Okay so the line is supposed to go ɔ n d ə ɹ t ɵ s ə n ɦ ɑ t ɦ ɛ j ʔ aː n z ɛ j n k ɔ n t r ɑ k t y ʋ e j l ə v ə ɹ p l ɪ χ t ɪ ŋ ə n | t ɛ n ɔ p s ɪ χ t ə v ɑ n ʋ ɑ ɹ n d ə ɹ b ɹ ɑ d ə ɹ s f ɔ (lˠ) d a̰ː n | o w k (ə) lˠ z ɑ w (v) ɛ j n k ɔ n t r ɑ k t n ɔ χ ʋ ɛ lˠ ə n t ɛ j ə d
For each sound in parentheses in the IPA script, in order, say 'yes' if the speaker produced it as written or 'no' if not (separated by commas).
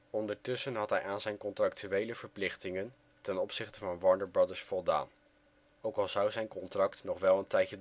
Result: yes, no, no